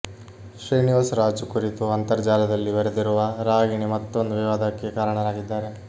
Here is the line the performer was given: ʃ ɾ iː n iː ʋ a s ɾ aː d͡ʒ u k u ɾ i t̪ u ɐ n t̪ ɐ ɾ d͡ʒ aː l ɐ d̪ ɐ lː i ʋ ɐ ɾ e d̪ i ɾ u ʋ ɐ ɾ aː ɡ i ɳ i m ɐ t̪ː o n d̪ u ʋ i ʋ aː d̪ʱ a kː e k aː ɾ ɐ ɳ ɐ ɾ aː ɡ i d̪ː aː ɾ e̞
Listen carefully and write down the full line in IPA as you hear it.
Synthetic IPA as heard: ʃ ɾ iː n i ʋ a s ɾ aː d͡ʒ u k u ɾ i t̪ u ɐ n t̪ ɐ ɾ d͡ʒ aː l ɐ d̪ ɐ lː i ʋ ɐ ɾ e d̪ i ɾ u ʋ ɐ ɾ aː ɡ i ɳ i m ɐ t̪ː o n d̪ u ʋ i ʋ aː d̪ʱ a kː e k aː ɾ ɐ ɳ ɐ ɾ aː ɡ i d̪ː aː ɾ e̞